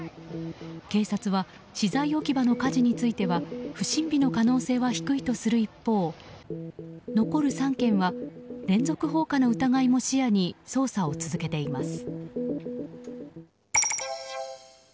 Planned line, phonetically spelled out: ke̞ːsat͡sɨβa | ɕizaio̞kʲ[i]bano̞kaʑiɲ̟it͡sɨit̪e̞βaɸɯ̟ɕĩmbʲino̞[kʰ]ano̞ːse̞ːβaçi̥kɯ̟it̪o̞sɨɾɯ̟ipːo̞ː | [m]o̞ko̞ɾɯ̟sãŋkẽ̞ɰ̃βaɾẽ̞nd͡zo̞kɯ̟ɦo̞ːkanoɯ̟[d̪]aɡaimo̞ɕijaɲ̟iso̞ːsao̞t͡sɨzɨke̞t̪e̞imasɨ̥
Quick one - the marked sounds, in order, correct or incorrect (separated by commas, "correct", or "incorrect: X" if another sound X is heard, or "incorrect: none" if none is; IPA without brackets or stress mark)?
correct, incorrect: k, incorrect: n, incorrect: t̪